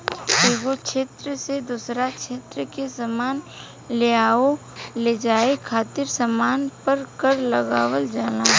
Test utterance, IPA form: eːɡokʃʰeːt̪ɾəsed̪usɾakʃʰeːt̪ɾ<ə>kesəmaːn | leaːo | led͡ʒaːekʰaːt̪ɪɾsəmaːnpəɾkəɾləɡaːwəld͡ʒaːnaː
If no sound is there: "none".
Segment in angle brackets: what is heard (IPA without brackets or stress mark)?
ə